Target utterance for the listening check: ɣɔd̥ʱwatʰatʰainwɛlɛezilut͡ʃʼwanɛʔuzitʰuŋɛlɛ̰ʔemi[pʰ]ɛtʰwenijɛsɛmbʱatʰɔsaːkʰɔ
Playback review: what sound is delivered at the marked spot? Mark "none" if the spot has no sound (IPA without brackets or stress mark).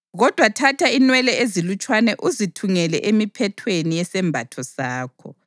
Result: pʰ